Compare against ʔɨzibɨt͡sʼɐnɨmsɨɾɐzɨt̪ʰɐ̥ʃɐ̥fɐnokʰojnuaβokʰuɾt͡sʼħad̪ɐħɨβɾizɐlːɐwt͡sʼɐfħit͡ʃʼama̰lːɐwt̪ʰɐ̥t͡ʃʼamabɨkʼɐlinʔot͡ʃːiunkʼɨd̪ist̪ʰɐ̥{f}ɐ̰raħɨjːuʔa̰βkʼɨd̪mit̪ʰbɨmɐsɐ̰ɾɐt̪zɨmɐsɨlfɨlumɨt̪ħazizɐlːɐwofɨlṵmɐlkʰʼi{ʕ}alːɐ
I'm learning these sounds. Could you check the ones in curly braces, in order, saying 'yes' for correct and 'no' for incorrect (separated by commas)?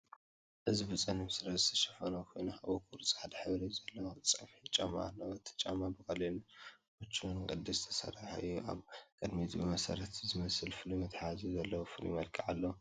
no, yes